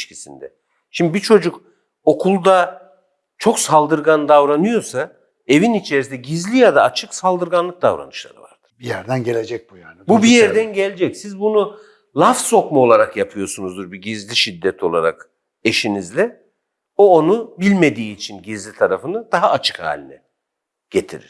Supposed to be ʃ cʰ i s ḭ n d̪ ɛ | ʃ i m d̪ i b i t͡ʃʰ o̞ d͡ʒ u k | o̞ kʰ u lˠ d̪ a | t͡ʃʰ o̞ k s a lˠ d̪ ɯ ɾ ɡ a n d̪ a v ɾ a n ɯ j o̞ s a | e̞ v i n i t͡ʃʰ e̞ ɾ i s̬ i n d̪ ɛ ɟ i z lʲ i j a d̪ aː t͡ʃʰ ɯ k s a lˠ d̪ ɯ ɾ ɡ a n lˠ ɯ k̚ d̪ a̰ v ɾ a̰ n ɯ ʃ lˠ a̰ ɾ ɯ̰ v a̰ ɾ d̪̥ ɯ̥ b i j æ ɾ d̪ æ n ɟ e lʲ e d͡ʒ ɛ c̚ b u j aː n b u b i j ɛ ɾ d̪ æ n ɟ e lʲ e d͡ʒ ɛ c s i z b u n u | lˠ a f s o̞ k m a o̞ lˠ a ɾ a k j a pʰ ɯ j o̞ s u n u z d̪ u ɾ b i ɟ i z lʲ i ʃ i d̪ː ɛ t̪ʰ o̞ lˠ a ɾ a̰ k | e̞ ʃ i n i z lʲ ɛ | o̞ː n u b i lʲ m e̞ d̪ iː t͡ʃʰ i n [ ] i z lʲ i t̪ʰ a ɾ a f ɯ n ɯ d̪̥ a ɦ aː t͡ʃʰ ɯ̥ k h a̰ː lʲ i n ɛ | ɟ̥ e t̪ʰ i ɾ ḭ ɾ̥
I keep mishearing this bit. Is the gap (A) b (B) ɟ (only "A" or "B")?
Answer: B